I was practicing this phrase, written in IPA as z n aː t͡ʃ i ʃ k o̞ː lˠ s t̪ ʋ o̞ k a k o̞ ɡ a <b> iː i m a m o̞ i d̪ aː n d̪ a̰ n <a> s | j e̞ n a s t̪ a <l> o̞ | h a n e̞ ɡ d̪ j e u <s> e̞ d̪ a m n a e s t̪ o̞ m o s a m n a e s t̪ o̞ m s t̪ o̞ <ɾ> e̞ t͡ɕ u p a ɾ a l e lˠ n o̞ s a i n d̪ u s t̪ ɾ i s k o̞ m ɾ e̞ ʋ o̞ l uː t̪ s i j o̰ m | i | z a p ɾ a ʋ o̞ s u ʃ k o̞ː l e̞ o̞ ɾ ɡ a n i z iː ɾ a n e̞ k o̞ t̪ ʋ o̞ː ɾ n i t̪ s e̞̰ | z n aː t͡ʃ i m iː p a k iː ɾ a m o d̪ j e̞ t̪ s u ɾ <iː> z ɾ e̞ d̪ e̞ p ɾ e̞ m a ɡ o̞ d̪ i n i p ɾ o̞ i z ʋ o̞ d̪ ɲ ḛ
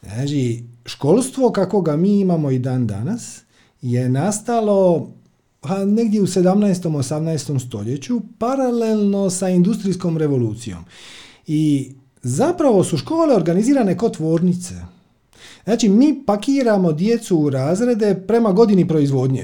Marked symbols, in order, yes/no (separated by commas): no, yes, yes, yes, no, no